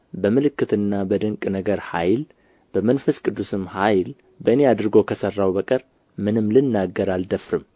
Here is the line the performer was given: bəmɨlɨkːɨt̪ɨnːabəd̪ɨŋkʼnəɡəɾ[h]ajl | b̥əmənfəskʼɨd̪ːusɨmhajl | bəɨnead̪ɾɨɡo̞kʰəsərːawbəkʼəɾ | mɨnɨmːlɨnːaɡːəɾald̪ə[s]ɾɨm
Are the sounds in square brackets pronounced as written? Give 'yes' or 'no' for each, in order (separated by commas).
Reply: yes, no